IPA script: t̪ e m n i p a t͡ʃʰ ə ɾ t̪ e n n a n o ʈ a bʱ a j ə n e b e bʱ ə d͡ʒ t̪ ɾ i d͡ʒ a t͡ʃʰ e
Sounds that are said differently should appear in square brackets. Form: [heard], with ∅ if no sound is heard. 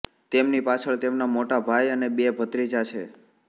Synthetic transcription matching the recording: t̪ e m n i p a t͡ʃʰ ə [ɭ] t̪ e [m] n a [m] o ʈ a bʱ a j ə n e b e bʱ ə [∅] t̪ ɾ i d͡ʒ a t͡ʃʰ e